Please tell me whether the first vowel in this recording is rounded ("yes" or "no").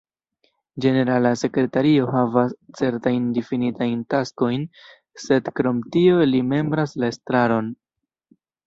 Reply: no